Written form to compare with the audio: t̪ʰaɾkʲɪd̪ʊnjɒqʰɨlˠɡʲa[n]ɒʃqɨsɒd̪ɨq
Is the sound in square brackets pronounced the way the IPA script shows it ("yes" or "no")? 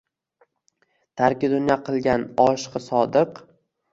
yes